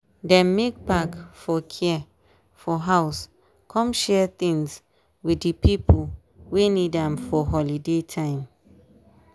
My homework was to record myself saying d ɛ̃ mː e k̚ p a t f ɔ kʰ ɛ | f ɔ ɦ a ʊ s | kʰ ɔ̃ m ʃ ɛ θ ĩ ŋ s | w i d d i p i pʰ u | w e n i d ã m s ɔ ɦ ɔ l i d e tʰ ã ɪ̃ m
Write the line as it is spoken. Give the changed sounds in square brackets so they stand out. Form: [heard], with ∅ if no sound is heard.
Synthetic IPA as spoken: d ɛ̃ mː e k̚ p a [k] f ɔ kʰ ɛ | f ɔ ɦ a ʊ s | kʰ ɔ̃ m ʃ ɛ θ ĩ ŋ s | w i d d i p i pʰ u | w e n i d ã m [f] ɔ ɦ ɔ l i d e tʰ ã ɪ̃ m